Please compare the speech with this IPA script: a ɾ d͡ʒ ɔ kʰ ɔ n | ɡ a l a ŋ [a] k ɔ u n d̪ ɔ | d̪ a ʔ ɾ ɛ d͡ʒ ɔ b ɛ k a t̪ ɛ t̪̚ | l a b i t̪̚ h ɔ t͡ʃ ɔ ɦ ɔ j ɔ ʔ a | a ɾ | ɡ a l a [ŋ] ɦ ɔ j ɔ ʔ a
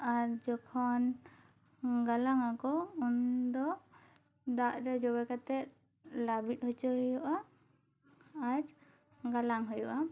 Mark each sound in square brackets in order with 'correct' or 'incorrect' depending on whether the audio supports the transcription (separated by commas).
correct, correct